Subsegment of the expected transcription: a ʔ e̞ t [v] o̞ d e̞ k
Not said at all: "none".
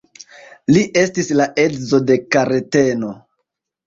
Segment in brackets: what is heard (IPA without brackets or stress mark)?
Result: z